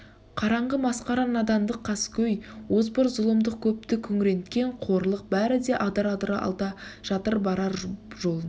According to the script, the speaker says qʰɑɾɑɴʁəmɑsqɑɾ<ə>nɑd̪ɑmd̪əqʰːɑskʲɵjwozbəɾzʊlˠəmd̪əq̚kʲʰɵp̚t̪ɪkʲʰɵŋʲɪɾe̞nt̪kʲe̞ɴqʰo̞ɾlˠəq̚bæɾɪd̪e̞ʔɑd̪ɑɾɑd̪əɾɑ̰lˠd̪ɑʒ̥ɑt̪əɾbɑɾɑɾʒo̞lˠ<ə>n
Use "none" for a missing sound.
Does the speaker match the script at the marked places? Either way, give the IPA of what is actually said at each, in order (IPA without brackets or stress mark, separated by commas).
ɑ, ə